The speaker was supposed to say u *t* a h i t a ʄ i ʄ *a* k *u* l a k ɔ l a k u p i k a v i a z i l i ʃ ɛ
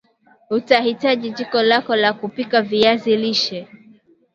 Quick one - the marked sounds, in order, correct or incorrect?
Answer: correct, incorrect: i, incorrect: ɔ

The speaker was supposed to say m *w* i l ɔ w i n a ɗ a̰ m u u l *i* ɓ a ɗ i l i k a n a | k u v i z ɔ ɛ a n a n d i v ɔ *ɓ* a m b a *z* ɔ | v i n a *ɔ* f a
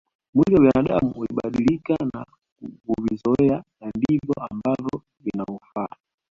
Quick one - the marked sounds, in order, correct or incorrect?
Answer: correct, correct, incorrect: none, incorrect: v, incorrect: u

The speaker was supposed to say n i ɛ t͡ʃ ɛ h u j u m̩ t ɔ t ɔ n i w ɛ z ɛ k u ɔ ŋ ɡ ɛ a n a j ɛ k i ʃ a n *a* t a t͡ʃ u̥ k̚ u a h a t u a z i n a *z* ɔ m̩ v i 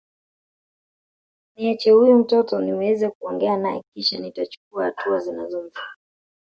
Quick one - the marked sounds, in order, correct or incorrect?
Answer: incorrect: i, correct

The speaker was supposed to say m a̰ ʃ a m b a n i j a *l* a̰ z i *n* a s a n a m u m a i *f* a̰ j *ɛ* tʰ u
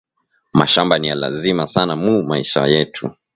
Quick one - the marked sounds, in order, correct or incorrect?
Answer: correct, incorrect: m, incorrect: ʃ, correct

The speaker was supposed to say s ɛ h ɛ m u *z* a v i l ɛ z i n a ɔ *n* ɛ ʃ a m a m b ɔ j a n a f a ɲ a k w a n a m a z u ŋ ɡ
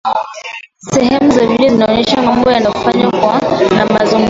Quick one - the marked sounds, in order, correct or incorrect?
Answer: correct, incorrect: ɲ

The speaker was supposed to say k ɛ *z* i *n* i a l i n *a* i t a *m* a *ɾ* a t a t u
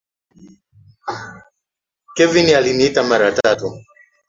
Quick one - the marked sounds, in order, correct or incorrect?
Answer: incorrect: v, correct, incorrect: i, correct, correct

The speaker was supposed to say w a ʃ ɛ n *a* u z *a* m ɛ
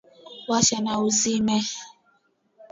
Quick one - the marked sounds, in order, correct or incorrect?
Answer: correct, incorrect: i

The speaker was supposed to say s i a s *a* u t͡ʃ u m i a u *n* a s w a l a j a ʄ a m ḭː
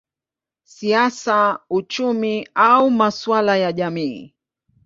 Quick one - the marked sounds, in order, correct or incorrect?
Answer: correct, incorrect: m

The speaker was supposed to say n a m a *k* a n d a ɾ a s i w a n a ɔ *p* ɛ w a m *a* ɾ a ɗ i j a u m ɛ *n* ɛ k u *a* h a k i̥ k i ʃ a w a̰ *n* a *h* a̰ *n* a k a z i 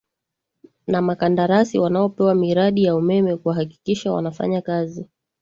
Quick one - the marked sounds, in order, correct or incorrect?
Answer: correct, correct, incorrect: i, incorrect: m, correct, correct, incorrect: f, incorrect: ɲ

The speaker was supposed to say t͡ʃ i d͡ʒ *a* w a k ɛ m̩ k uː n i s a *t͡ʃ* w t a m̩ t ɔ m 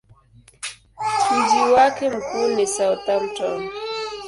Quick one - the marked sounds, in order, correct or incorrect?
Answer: incorrect: i, incorrect: none

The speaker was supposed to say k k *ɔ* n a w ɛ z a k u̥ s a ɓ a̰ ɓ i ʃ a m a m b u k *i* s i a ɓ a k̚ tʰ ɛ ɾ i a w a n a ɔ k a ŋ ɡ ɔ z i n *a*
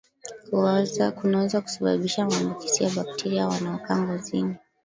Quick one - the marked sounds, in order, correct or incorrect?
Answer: incorrect: u, correct, incorrect: i

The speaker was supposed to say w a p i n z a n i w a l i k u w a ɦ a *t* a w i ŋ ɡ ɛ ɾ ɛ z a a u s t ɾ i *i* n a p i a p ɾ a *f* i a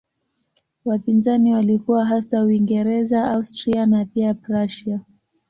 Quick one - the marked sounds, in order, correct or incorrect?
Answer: incorrect: s, incorrect: a, incorrect: ʃ

